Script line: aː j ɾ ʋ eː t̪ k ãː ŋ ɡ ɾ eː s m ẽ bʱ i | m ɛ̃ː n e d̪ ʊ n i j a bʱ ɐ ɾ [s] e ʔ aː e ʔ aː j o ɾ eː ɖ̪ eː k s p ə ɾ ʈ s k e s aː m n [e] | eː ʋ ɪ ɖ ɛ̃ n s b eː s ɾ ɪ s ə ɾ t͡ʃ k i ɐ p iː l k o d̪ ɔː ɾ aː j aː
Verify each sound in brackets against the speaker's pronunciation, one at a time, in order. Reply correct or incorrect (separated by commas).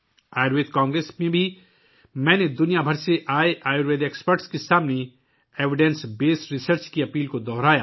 correct, correct